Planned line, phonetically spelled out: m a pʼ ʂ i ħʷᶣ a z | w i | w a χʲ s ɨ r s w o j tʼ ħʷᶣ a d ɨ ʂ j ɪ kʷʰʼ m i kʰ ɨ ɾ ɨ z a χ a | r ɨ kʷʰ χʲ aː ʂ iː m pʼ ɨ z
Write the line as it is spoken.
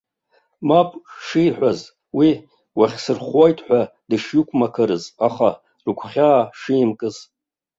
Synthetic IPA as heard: m a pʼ ʂ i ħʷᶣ a z | w i | w a χʲ s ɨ r χ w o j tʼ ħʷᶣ a d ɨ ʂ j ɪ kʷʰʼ m a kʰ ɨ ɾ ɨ z a χ a | r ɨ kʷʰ χʲ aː ʂ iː m kʼ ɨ z